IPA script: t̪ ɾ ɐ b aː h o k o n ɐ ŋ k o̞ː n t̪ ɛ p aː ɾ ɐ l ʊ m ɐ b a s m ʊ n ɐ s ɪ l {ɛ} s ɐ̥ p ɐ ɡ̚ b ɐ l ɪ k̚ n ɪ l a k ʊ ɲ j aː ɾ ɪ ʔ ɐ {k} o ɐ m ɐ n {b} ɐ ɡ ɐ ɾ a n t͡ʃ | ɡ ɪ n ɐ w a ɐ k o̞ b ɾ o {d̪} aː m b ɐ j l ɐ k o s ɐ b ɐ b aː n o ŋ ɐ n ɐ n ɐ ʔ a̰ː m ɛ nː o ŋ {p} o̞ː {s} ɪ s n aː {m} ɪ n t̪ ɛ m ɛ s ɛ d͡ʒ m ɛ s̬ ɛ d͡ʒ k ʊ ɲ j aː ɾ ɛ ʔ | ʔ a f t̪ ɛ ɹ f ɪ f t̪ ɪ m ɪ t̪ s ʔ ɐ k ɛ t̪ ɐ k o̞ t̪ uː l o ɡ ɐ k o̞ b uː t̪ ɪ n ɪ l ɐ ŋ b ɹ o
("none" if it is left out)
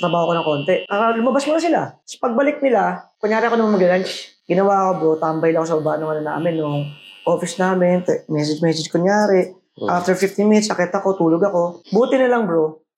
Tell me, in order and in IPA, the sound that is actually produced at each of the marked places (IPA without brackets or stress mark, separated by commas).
a, k, m, t̪, ʔ, f, m